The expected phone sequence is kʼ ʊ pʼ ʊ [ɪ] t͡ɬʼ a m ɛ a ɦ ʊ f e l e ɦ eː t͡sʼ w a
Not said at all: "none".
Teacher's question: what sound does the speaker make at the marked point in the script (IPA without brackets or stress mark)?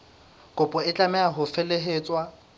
ɪ